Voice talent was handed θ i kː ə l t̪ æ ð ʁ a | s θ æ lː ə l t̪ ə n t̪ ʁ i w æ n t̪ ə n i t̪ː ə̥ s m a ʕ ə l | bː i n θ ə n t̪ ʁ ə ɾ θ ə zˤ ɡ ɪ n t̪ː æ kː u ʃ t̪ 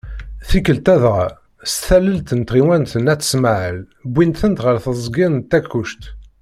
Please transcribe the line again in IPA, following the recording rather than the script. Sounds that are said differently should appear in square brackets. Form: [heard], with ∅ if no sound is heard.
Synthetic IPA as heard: θ i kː ə l t̪ æ ð ʁ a | s θ æ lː ə l t̪ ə n t̪ ʁ i w æ n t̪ ə n [æ] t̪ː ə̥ s m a ʕ ə l | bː i n θ ə n t̪ ʁ ə ɾ θ ə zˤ ɡ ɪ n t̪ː æ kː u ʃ t̪